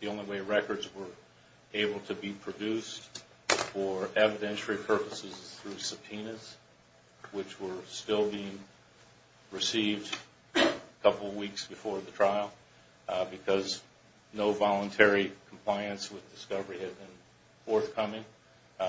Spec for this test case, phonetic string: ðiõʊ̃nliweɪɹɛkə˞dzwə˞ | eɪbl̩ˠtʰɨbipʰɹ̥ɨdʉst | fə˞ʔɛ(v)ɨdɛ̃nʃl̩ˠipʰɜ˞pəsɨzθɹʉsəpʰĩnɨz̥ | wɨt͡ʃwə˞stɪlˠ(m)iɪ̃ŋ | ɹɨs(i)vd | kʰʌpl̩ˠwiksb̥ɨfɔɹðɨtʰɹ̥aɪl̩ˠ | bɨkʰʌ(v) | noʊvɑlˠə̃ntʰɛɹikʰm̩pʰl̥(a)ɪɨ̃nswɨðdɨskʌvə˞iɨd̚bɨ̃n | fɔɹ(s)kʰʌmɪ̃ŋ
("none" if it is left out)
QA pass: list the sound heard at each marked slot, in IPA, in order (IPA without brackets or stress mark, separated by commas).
v, b, i, z, a, θ